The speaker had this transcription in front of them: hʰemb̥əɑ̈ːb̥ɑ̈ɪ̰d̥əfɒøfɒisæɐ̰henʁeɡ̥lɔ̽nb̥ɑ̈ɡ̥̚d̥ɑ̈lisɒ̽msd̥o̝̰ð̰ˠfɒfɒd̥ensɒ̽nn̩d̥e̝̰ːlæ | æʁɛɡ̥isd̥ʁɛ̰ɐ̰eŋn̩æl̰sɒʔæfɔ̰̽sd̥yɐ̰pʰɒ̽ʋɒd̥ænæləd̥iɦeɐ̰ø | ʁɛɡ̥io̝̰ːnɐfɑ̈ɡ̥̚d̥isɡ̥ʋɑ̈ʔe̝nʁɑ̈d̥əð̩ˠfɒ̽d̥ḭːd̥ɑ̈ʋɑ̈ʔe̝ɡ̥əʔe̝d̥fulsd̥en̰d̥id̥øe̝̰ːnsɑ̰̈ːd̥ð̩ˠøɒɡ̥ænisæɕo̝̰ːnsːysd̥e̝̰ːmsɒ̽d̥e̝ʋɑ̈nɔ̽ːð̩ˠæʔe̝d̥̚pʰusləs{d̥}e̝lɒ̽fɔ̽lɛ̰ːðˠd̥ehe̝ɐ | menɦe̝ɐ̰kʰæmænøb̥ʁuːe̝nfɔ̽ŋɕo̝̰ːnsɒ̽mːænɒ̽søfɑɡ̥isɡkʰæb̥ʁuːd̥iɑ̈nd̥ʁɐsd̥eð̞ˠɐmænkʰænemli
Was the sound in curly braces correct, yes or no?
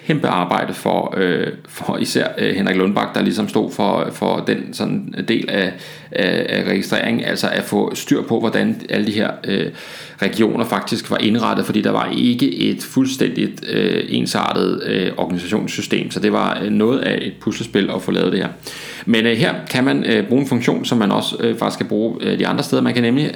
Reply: no